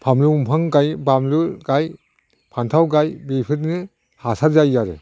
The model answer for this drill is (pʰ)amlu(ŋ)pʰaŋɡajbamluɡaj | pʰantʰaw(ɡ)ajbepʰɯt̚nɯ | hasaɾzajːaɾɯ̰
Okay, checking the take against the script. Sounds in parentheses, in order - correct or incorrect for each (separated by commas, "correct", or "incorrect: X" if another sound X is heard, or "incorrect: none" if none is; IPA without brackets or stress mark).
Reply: correct, incorrect: m, correct